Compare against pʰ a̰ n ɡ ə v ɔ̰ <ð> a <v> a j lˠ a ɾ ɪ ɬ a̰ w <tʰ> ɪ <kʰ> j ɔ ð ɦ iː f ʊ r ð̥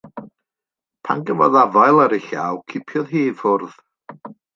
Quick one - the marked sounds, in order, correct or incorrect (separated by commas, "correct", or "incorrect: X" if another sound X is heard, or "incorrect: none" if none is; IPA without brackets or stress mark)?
correct, correct, incorrect: kʰ, incorrect: pʰ